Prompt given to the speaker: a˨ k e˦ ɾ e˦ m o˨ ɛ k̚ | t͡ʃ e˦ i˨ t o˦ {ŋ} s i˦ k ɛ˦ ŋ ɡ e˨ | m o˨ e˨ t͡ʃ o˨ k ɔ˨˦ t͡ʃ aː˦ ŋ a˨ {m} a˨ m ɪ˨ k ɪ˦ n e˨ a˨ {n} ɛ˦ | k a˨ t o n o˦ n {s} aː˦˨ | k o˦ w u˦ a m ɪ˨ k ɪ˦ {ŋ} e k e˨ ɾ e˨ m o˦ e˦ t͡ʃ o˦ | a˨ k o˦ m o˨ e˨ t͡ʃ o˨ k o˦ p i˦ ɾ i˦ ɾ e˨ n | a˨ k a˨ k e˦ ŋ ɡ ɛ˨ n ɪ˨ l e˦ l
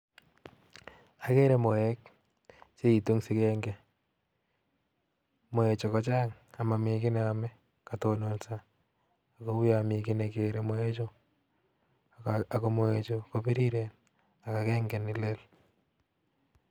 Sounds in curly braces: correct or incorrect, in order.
correct, correct, incorrect: m, correct, incorrect: n

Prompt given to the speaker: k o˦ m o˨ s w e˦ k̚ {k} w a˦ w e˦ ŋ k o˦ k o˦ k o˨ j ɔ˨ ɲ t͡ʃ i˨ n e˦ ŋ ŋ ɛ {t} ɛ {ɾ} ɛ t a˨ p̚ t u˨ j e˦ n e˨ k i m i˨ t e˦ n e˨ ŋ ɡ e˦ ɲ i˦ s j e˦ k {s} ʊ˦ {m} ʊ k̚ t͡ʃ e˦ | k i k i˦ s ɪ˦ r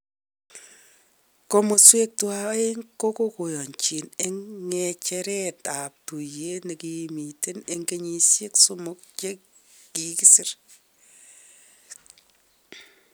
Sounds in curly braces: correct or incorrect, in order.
incorrect: t, incorrect: t͡ʃ, correct, correct, correct

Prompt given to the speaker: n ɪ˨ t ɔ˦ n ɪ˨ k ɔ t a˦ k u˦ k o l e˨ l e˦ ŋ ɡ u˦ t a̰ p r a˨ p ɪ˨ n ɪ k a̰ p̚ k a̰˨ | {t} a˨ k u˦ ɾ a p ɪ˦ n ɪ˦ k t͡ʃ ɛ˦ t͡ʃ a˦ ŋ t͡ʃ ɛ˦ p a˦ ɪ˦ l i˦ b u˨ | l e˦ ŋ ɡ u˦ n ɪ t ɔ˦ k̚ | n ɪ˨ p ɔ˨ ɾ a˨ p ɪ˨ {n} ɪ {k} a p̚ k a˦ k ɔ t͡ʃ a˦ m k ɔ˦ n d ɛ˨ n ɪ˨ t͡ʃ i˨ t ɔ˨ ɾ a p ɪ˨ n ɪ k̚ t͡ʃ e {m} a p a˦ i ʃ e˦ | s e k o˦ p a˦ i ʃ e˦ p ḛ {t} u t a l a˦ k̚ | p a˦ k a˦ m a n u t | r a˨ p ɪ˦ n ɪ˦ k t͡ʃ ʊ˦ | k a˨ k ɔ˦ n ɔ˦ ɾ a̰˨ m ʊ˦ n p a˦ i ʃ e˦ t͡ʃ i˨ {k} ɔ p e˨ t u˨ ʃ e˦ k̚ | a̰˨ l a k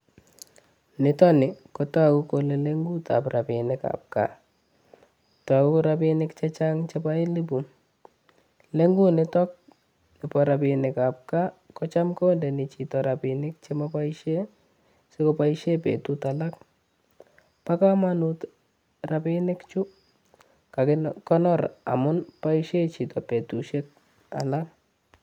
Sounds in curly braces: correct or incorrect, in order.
correct, correct, correct, correct, correct, incorrect: t

